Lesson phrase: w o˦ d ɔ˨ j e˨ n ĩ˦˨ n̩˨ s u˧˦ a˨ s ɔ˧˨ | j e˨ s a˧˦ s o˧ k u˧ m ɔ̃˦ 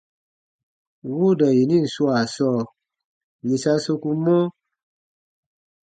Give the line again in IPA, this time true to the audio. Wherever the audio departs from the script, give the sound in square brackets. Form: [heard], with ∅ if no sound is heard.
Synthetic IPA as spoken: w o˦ d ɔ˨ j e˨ n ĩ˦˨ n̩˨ s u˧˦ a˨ s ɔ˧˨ | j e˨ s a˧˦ s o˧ k u˧ m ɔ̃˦